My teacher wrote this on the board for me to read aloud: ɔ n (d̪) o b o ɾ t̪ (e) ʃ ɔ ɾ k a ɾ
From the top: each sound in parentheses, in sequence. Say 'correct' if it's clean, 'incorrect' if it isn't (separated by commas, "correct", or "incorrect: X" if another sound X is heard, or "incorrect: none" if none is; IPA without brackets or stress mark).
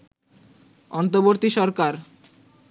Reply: incorrect: t̪, incorrect: i